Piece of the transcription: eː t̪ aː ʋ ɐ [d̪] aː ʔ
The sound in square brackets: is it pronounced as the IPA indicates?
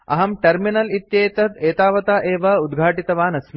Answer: no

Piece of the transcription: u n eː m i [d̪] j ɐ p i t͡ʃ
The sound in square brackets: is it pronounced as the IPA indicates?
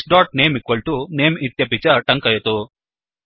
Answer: no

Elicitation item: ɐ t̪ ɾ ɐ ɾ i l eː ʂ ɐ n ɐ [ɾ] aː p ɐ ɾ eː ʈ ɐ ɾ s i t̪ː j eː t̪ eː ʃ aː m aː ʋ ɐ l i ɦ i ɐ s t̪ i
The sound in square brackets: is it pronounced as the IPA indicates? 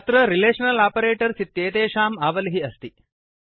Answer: no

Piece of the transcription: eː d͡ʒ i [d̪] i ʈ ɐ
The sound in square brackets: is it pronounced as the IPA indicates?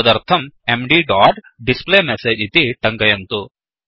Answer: no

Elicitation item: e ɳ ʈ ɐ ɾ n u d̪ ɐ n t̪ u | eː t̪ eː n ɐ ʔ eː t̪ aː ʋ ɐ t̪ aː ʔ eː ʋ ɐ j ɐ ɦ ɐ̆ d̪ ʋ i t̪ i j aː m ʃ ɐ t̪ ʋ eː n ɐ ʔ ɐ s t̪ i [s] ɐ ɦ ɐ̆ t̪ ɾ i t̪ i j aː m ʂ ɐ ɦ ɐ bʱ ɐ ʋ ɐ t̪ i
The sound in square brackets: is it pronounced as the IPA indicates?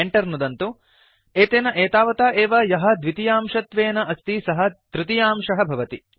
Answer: yes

